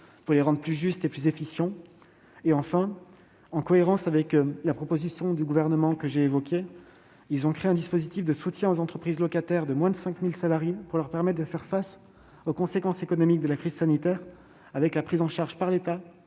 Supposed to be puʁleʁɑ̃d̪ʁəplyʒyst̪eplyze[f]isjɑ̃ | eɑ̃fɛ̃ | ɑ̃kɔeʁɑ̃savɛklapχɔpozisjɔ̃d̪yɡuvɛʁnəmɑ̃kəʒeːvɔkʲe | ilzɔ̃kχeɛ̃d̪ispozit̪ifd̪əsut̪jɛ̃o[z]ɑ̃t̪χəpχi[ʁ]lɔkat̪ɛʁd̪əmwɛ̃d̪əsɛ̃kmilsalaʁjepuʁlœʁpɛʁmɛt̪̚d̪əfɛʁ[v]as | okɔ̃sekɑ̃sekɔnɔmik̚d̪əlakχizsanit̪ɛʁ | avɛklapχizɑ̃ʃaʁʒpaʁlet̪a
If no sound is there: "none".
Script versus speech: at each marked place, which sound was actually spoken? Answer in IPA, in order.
f, z, z, f

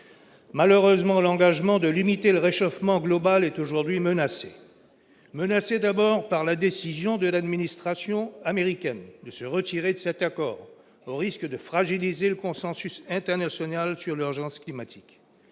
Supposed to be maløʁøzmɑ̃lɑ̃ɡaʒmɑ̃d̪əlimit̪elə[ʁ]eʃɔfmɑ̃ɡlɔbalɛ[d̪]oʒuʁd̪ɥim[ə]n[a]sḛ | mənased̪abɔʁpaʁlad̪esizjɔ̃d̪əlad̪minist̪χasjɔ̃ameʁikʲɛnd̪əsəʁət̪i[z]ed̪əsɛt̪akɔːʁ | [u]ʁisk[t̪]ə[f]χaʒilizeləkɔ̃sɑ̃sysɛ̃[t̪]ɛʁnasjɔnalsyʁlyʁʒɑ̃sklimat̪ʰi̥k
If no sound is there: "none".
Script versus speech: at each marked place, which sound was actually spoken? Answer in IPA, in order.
ʁ, t̪, ə, a, ʁ, o, d̪, f, t̪

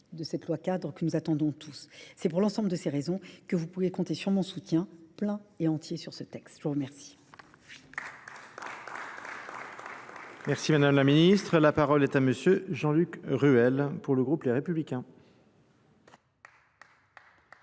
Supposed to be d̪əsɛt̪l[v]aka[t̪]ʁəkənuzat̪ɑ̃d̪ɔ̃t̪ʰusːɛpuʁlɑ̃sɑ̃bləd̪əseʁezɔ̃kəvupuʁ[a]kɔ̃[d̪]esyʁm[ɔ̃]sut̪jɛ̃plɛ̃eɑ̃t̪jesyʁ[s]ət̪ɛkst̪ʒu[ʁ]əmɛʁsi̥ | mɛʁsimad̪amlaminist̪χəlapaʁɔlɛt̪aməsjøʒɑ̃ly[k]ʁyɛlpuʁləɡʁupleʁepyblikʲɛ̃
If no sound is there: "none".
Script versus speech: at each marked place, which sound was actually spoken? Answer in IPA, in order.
w, d̪, e, t̪, ɔ̃, s, ʁ, k

